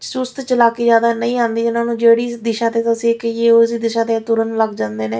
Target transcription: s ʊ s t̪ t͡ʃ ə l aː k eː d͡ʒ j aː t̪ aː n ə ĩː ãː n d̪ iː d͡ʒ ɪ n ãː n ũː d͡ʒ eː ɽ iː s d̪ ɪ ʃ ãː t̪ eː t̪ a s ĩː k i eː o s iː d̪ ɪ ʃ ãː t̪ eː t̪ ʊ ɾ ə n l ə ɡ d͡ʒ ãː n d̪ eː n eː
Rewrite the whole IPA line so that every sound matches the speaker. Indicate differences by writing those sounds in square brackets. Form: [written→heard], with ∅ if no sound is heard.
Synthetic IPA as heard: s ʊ s t̪ t͡ʃ ə l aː k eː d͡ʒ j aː [t̪→d̪] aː n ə ĩː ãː n d̪ iː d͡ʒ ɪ n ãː n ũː d͡ʒ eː ɽ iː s d̪ ɪ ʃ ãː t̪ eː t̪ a s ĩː k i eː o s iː d̪ ɪ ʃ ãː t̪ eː t̪ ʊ ɾ ə n l ə ɡ d͡ʒ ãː n d̪ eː n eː